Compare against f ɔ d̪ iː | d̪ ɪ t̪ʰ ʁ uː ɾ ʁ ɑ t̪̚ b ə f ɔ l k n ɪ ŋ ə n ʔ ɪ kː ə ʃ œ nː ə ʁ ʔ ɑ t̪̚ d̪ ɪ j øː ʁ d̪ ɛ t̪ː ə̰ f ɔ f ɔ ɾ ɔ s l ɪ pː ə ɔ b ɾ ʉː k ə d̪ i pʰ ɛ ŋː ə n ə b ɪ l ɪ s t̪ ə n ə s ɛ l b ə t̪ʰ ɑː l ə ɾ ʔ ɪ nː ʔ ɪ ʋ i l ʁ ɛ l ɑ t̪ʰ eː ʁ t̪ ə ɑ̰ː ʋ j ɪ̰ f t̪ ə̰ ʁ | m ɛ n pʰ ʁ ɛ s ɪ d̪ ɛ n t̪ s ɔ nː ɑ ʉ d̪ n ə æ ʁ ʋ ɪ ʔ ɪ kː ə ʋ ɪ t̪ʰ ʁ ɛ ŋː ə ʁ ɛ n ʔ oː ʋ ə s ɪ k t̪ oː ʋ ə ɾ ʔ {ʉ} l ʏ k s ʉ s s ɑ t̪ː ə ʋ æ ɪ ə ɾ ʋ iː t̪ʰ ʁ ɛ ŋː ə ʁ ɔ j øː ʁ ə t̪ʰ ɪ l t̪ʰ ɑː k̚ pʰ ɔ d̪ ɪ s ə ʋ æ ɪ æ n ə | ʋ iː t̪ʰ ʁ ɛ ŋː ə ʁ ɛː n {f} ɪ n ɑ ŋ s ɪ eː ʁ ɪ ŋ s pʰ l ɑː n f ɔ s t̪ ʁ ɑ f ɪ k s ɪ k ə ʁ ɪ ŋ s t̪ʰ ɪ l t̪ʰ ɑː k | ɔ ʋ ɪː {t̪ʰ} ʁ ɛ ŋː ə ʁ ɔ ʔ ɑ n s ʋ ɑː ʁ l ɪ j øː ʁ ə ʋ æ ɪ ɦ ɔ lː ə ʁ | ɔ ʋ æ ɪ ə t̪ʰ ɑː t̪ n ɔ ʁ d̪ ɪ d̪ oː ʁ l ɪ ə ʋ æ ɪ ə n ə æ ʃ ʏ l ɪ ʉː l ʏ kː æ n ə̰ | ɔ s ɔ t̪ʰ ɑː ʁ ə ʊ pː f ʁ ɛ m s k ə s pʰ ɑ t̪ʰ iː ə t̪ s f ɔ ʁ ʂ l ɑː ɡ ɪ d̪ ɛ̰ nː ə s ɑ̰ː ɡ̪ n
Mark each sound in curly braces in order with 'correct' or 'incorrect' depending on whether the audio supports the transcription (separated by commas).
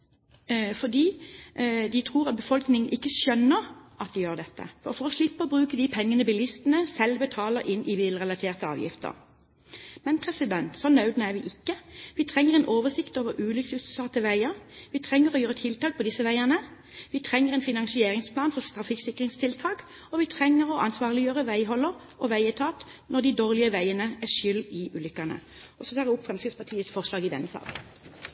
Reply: incorrect, correct, correct